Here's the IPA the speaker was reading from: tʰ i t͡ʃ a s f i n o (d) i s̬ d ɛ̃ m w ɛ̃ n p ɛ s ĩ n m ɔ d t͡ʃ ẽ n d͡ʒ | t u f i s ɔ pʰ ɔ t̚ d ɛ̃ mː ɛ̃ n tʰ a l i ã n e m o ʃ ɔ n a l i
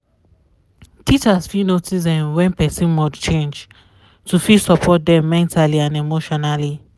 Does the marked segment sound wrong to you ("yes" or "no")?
yes